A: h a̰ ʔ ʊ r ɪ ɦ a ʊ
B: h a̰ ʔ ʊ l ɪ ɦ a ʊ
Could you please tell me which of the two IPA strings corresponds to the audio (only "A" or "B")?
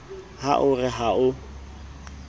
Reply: A